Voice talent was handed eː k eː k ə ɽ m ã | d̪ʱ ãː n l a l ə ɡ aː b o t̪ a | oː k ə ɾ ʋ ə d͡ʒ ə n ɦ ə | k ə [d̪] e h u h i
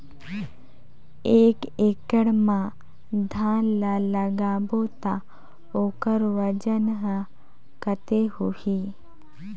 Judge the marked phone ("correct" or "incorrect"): incorrect